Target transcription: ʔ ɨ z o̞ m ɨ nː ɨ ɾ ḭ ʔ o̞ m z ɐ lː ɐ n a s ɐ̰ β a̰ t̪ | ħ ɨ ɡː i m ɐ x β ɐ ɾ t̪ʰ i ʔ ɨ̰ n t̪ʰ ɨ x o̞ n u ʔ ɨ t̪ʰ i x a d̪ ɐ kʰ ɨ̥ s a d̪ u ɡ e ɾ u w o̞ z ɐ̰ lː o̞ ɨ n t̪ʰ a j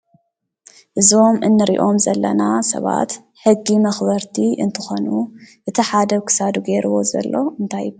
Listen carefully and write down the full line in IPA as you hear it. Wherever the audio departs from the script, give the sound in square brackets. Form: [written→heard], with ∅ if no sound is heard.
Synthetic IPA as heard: ʔ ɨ z o̞ m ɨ nː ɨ ɾ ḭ ʔ o̞ m z ɐ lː ɐ n a s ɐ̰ β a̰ t̪ | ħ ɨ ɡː i m ɐ x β ɐ ɾ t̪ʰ i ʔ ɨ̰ n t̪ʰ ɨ x o̞ n u ʔ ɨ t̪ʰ i [x→ħ] a d̪ ɐ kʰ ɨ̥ s a d̪ u ɡ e ɾ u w o̞ z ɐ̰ lː o̞ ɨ n t̪ʰ a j

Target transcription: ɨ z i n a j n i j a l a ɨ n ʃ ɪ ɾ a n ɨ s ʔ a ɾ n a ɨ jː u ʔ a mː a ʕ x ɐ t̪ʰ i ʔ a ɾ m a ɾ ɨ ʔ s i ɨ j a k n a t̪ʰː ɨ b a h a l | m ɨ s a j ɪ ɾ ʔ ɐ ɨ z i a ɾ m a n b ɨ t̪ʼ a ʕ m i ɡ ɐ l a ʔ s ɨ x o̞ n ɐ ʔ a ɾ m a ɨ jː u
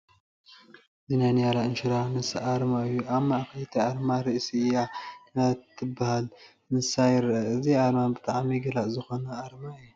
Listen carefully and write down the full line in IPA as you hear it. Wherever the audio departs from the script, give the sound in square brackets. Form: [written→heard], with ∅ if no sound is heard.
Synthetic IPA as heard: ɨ z i n a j n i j a l a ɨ n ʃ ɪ ɾ a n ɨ s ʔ a ɾ [n→m] a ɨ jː u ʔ a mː a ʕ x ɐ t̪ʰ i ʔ a ɾ m a ɾ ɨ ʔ s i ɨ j a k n a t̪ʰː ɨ b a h a l | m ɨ s a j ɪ ɾ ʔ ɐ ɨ z i a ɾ m a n b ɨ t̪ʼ a ʕ m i ɡ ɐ l a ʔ [s→z] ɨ x o̞ n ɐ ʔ a ɾ m a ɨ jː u

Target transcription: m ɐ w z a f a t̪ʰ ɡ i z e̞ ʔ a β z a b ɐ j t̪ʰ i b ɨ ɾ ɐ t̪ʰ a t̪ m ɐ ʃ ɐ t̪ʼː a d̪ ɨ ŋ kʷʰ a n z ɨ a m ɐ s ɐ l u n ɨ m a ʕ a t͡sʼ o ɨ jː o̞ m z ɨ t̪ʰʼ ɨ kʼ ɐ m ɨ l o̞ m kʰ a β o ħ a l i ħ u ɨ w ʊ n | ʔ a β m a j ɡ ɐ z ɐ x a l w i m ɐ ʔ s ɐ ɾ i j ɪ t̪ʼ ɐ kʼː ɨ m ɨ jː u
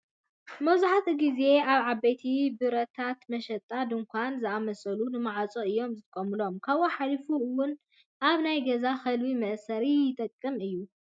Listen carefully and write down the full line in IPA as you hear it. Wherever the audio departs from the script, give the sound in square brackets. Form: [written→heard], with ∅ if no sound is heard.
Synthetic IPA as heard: m ɐ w z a [f→ħ] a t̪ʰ ɡ i z e̞ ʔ a β [z→ʕ] a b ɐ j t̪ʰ i b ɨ ɾ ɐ t̪ʰ a t̪ m ɐ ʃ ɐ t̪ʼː a d̪ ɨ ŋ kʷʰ a n z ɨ a m ɐ s ɐ l u n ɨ m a ʕ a t͡sʼ o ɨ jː o̞ m z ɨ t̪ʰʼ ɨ kʼ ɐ m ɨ l o̞ m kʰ a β o ħ a l i [ħ→f] u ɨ w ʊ n | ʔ a β [m→n] a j ɡ ɐ z [ɐ→a] x [a→ɐ] l w i m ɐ ʔ s ɐ ɾ i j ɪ t̪ʼ ɐ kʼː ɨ m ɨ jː u

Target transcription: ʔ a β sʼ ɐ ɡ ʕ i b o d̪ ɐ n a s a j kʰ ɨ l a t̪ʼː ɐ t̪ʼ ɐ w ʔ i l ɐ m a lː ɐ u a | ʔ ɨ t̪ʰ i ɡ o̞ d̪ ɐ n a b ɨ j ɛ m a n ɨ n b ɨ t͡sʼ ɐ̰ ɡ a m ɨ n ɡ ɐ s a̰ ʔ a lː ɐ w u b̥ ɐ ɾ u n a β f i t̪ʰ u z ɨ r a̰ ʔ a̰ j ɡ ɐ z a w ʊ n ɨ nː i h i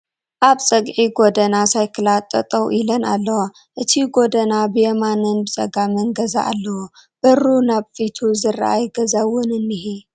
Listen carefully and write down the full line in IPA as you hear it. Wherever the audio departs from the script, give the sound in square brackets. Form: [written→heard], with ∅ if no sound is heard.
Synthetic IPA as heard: ʔ a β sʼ ɐ ɡ ʕ i [b→ɡ] o d̪ ɐ n a s a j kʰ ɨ l a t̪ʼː ɐ t̪ʼ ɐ w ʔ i l ɐ [m→n] a lː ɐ [u→w] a | ʔ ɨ t̪ʰ i ɡ o̞ d̪ ɐ n a b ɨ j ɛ m a n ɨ n b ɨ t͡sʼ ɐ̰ ɡ a m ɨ n ɡ ɐ [s→z] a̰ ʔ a lː ɐ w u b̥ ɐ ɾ u n a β f i t̪ʰ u z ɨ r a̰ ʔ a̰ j ɡ ɐ z a w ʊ n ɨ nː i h i

